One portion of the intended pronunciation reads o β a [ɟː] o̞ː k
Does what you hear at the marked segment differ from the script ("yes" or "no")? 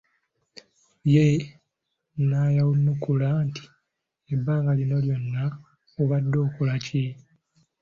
yes